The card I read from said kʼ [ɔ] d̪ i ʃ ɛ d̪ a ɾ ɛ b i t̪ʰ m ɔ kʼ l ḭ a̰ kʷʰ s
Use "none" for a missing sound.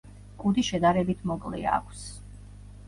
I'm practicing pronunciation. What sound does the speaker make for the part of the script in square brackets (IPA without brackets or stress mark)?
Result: u